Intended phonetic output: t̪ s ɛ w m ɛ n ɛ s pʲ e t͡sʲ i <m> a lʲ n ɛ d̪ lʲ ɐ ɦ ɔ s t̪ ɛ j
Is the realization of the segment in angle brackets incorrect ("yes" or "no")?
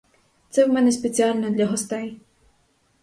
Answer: yes